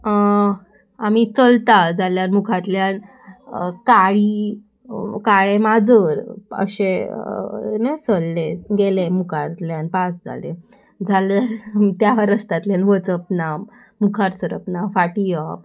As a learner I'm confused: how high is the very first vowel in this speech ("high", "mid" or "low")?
low